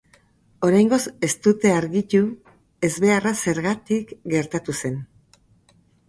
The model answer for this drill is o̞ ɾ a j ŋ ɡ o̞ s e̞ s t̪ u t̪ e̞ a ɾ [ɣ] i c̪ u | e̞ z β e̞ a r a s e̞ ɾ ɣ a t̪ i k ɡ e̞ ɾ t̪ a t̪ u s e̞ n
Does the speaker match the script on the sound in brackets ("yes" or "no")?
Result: yes